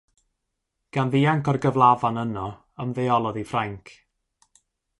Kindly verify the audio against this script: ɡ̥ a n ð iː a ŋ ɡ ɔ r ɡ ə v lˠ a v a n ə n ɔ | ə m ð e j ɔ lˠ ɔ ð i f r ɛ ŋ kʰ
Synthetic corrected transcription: ɡ̥ a n ð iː a ŋ k ɔ r ɡ ə v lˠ a v a n ə n ɔ | ə m ð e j ɔ lˠ ɔ ð i f r a ŋ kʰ

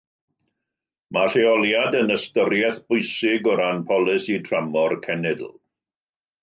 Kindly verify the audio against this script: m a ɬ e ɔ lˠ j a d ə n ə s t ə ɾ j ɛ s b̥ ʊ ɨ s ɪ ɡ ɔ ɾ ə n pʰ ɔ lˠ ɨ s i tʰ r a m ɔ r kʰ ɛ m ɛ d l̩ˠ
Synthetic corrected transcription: m a ɬ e ɔ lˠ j a d ə n ə s t ə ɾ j ɛ θ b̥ ʊ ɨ s ɪ ɡ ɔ ɾ a n pʰ ɔ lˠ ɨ s i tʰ r a m ɔ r kʰ ɛ n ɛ d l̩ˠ

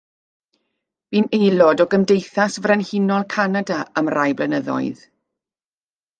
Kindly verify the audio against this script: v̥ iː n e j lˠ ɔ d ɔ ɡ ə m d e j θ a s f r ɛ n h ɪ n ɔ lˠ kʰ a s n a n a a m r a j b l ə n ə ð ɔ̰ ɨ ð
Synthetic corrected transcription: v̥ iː n e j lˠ ɔ d ɔ ɡ ə m d e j θ a s v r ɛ n h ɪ n ɔ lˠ kʰ a n a d a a m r a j b l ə n ə ð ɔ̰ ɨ ð

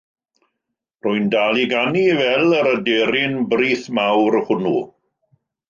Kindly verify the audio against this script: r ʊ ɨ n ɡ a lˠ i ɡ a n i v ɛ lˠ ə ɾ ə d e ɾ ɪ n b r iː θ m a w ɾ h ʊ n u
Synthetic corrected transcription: r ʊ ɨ n d a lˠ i ɡ a n i v ɛ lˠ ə ɾ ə d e ɾ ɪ n b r iː θ m a w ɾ h ʊ n u

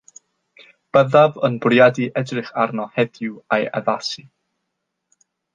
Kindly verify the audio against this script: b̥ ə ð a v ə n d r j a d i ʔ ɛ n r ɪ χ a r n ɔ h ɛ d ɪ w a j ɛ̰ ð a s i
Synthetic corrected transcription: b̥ ə ð a v ə n b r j a d i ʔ ɛ d r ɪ χ a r n ɔ h ɛ d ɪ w a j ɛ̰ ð a s i

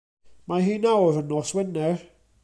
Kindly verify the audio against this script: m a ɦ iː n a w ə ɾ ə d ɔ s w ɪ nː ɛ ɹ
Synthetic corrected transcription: m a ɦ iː n a w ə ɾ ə n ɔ s w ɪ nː ɛ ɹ

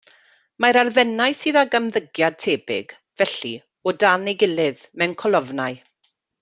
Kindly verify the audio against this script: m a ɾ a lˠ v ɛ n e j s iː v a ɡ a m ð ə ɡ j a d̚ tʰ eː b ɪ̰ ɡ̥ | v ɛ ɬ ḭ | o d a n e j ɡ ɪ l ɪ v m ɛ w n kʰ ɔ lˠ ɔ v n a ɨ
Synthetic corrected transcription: m a ɾ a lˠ v ɛ n a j s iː ð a ɡ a m ð ə ɡ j a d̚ tʰ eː b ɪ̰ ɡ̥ | v ɛ ɬ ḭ | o d a n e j ɡ ɪ l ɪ ð m ɛ w n kʰ ɔ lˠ ɔ v n a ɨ

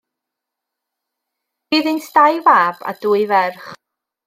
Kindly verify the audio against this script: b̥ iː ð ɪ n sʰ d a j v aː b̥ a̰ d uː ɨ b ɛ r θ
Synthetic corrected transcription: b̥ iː ð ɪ n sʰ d a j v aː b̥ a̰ d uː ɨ v ɛ r χ

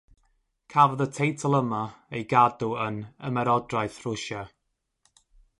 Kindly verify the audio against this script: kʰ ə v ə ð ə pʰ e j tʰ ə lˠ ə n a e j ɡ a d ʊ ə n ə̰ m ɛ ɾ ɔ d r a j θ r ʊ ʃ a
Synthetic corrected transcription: kʰ a v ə ð ə tʰ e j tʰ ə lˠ ə m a e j ɡ a d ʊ ə n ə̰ m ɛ ɾ ɔ d r a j θ r ʊ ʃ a

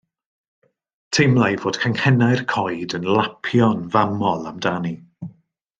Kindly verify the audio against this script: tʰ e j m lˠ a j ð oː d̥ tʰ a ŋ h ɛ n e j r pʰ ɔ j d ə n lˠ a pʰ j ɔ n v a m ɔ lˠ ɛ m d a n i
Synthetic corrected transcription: tʰ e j m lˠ a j v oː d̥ kʰ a ŋ h ɛ n a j r kʰ ɔ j d ə n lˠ a pʰ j ɔ n v a m ɔ lˠ a m d a n i

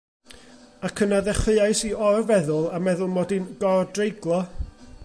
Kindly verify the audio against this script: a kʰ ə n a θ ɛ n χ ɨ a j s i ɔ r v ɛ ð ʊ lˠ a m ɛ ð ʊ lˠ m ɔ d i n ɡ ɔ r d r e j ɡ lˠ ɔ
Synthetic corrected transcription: a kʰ ə n a ð ɛ χ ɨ a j s i ɔ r v ɛ ð ʊ lˠ a m ɛ ð ʊ lˠ m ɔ d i n ɡ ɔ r d r e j ɡ lˠ ɔ

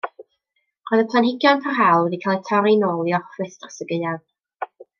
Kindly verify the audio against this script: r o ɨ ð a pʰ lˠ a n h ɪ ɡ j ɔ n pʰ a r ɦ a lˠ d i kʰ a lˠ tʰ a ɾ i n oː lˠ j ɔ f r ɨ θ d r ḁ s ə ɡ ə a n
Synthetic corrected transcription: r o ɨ ð ə pʰ lˠ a n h ɪ ɡ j ɔ n pʰ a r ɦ a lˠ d i kʰ a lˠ tʰ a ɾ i n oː lˠ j ɔ f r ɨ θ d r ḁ s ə ɡ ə a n

